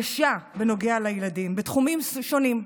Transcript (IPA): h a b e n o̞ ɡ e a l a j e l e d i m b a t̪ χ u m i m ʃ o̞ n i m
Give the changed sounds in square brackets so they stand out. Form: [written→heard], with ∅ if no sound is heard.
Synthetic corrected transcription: [h→ʃ] a b e n o̞ ɡ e a l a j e l [e→a] d i m b [a→e] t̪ χ u m i m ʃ o̞ n i m